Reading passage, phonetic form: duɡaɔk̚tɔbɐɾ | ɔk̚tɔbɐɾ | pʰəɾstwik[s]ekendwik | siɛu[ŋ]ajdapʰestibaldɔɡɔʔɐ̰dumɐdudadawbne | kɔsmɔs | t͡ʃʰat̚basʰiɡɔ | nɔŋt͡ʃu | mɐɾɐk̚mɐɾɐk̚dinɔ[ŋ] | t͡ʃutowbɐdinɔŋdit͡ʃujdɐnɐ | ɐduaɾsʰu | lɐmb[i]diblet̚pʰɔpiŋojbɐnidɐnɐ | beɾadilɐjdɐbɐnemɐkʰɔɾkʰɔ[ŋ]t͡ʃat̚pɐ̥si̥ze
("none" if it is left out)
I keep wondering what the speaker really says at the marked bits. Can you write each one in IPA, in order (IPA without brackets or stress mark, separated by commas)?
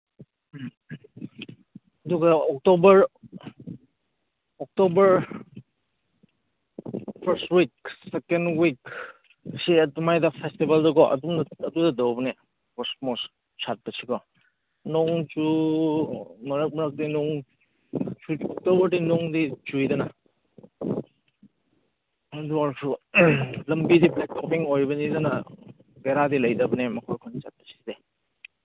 s, m, ŋ, i, n